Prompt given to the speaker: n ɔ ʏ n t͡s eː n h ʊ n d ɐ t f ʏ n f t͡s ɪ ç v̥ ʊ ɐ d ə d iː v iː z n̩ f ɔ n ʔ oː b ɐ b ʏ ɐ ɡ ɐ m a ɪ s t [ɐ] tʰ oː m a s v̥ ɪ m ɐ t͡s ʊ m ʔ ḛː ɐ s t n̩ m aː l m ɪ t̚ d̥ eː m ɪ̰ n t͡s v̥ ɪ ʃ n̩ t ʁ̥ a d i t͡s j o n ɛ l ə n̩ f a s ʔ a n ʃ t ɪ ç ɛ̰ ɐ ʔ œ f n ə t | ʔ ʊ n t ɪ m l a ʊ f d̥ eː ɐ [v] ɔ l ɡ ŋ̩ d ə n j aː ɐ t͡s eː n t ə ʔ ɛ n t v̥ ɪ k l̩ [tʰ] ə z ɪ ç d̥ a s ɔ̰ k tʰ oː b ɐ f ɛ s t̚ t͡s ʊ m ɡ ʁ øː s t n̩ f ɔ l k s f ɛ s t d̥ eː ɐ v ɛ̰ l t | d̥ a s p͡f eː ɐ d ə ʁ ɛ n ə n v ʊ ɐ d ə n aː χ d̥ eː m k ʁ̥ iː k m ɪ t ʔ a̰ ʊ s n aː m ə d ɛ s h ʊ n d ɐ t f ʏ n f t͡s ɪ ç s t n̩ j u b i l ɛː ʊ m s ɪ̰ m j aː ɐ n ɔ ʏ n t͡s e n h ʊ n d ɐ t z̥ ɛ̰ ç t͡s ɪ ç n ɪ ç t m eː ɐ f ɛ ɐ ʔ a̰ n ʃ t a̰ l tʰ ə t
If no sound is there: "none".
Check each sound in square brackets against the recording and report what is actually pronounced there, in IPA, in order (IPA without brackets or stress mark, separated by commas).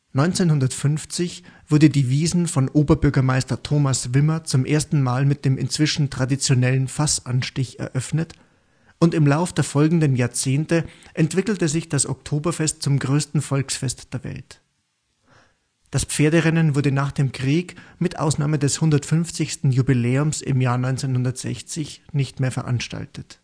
ɐ, f, t